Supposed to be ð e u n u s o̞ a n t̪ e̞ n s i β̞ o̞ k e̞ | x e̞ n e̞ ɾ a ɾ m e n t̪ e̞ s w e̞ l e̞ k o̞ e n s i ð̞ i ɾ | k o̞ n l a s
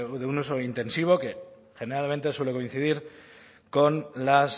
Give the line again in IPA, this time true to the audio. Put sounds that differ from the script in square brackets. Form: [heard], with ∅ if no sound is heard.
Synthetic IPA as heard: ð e u n u s o̞ [i] n t̪ e̞ n s i β̞ o̞ k e̞ | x e̞ n e̞ ɾ a [l] m e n t̪ e̞ s w e̞ l e̞ k o̞ [i] n [θ] i ð̞ i ɾ | k o̞ n l a s